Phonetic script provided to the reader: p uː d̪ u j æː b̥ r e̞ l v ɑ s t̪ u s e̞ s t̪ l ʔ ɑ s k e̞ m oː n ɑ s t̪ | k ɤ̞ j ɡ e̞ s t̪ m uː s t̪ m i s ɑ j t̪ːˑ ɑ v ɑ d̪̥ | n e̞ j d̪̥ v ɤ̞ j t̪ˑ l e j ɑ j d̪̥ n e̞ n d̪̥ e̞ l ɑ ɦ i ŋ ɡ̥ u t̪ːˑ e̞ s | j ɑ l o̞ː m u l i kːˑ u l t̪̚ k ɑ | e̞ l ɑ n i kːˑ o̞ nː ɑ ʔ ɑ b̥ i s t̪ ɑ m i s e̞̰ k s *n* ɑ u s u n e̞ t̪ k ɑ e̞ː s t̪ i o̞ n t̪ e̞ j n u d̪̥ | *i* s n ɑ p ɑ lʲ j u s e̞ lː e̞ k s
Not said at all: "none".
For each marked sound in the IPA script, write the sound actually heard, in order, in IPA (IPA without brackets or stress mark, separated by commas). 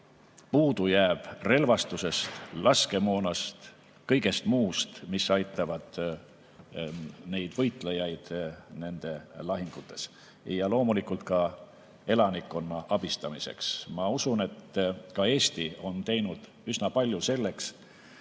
m, y